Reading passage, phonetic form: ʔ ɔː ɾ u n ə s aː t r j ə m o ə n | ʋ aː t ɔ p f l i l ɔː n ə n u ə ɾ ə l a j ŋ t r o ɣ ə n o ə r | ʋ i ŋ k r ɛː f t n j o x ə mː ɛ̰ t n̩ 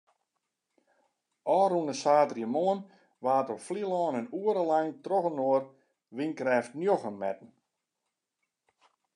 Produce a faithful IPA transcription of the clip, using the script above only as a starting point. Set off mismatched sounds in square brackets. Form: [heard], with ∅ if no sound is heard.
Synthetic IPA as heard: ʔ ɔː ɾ u n ə s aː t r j ə m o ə n | ʋ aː t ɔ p f l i l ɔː n ə n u ə ɾ ə l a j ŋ t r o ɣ ə n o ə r | ʋ i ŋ k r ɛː f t n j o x ə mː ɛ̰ t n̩

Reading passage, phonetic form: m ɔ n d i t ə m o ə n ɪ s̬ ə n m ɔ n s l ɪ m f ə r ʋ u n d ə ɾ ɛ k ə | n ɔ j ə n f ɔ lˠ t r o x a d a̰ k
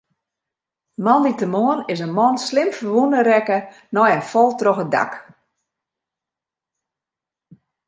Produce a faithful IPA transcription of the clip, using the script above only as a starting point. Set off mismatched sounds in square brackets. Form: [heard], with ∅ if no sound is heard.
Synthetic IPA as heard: m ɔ n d i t ə m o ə n ɪ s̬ ə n m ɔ n s l ɪ m f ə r ʋ u n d ə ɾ ɛ k ə | n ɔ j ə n f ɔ lˠ t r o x [ə] d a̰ k

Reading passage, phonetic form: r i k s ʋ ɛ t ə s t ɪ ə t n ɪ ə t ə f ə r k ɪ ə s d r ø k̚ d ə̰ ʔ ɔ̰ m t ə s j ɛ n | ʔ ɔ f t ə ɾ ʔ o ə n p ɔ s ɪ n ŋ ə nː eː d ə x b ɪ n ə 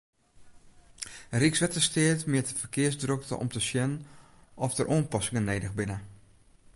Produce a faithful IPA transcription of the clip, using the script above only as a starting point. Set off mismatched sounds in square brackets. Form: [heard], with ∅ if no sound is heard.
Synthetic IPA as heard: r i k s ʋ ɛ t ə s t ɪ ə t [m] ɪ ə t ə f ə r k ɪ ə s d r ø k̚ [t] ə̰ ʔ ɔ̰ m t ə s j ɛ n | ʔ ɔ f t ə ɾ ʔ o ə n p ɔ s ɪ [∅] ŋ ə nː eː d ə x b ɪ n ə

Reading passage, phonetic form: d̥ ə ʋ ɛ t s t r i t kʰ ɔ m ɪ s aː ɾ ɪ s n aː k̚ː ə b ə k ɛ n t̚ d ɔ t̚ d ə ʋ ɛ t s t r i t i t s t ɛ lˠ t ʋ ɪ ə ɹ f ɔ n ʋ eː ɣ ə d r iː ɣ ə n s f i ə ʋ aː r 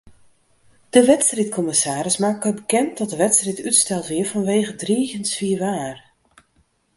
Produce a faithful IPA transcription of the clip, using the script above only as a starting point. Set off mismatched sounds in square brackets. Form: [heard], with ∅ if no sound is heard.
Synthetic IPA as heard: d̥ ə ʋ ɛ t s t r i t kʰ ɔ m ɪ s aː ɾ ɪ s [m] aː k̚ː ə b ə k ɛ n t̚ d ɔ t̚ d ə ʋ ɛ t s t r i t [y] t s t ɛ lˠ t ʋ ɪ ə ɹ f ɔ n ʋ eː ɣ ə d r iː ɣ ə n s f i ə ʋ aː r

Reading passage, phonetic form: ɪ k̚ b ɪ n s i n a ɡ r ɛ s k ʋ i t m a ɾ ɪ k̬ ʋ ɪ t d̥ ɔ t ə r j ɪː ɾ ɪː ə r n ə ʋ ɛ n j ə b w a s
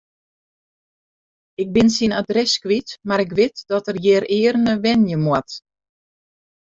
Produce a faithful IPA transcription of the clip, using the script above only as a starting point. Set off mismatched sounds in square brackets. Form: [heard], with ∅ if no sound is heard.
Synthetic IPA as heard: ɪ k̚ b ɪ n s i n a [d] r ɛ s k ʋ i t m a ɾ ɪ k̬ ʋ ɪ t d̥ ɔ t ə r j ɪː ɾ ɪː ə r n ə ʋ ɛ n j ə [m] w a [t]

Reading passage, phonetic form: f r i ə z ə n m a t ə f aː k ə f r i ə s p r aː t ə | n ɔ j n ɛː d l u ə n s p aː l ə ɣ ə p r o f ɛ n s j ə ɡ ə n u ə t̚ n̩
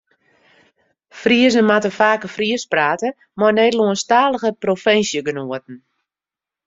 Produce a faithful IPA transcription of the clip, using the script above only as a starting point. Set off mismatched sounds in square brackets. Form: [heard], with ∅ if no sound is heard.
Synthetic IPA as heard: f r i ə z ə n m a t ə f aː k ə f r i ə s p r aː t ə | [m] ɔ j n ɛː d l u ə n s [t] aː l ə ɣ ə p r o f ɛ n s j ə ɡ ə n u ə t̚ n̩

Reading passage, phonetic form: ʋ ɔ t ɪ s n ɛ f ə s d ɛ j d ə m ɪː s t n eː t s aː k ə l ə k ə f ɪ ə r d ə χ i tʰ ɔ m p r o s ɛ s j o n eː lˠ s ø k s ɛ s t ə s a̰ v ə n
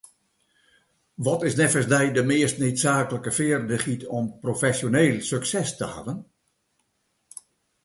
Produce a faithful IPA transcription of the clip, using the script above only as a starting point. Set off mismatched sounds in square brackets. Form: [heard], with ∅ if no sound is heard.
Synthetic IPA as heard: ʋ ɔ t ɪ s n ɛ f ə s d ɛ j d ə m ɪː s t n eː t s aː k ə l ə k ə f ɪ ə r d ə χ i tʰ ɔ m p r o [f] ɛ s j o n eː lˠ s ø k s ɛ s t ə [h] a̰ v ə n

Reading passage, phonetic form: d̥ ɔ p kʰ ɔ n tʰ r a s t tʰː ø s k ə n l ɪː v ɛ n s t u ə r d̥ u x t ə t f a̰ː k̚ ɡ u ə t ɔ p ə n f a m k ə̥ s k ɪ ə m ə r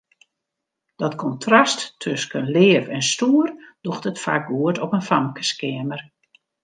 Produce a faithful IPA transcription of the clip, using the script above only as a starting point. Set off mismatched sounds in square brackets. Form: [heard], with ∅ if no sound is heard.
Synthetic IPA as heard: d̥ ɔ [t] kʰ ɔ n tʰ r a s t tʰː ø s k ə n l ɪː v ɛ n s t u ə r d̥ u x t ə t f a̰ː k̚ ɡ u ə t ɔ p ə n f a m k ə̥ s k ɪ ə m ə r

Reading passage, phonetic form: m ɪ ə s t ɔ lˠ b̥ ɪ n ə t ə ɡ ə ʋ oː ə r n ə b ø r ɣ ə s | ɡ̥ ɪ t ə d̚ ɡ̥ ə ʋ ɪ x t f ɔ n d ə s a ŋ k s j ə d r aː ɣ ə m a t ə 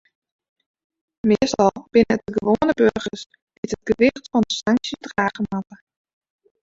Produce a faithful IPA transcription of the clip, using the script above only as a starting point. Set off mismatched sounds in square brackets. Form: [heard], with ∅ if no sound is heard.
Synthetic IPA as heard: m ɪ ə s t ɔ lˠ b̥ ɪ n ə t ə ɡ ə ʋ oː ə [∅] n ə b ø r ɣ ə s | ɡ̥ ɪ t ə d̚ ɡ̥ ə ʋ ɪ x t f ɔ n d ə s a ŋ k s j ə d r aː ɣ ə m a t ə

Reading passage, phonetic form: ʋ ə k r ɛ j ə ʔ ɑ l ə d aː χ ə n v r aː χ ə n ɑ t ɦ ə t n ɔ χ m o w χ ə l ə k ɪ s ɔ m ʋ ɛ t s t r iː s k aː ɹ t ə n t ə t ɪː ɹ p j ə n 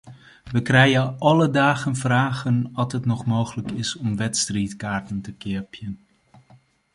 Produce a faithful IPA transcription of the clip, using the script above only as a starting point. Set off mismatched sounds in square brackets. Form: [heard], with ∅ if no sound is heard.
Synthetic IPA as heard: ʋ ə k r ɛ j ə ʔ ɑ l ə d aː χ ə n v r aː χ ə n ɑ t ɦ ə t n ɔ χ m o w χ ə l ə k ɪ s ɔ m ʋ ɛ t s t r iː [t] k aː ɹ t ə n t ə [k] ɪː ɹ p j ə n

